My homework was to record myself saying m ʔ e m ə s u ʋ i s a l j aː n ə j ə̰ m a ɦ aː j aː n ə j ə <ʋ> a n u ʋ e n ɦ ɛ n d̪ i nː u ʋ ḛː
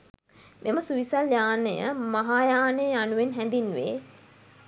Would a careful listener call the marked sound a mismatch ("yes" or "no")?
yes